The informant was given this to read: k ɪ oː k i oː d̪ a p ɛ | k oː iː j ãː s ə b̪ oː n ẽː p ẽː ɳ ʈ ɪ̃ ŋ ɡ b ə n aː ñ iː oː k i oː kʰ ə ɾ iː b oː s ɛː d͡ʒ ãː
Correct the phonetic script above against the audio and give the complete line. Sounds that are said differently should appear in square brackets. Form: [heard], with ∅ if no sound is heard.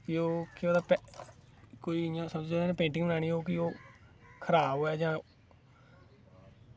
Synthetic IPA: k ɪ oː k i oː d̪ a p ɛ | k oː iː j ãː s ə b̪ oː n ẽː p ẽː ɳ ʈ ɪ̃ ŋ ɡ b ə n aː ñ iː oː k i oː kʰ ə ɾ [aː] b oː [∅] ɛː d͡ʒ ãː